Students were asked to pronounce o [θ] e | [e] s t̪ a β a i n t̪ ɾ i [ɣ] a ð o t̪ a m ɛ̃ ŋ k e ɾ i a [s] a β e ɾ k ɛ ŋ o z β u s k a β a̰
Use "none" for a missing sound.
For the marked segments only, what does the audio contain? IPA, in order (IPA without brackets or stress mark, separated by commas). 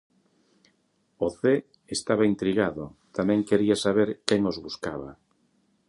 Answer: θ, e, ɣ, s